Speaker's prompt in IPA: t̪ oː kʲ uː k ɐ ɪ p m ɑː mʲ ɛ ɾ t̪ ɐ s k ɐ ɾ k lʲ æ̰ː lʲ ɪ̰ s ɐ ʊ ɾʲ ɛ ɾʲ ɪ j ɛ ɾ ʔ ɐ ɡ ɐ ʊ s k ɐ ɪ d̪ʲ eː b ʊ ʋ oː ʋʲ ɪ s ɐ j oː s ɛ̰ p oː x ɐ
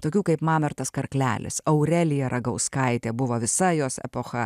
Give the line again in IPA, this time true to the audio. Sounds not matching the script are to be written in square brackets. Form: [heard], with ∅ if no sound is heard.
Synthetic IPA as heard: t̪ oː kʲ uː k ɐ ɪ p m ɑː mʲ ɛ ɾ t̪ ɐ s k ɐ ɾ k lʲ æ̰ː lʲ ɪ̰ s ɐ ʊ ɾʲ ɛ [lʲ] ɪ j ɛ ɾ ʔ ɐ ɡ ɐ ʊ s k ɐ ɪ [t̪ʲ] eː b ʊ ʋ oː ʋʲ ɪ s ɐ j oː s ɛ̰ p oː x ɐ